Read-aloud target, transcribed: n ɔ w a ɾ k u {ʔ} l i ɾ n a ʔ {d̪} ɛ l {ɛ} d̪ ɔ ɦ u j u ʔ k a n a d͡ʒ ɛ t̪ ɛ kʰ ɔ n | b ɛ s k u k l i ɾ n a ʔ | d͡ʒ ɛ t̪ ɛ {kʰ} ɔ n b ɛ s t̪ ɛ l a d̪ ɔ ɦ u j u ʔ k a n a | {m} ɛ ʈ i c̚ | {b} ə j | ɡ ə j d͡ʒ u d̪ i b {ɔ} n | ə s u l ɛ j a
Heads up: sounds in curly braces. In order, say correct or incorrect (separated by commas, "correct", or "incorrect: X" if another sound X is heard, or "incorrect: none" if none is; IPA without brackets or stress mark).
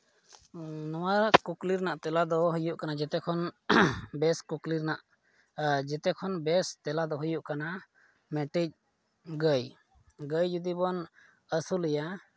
incorrect: k, incorrect: t̪, incorrect: a, correct, correct, incorrect: ɡ, correct